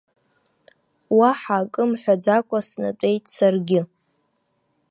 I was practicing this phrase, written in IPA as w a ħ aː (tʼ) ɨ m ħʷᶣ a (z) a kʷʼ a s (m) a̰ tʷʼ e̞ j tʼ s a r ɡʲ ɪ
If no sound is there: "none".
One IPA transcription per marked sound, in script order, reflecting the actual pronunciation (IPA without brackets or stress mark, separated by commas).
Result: kʼ, d͡z, n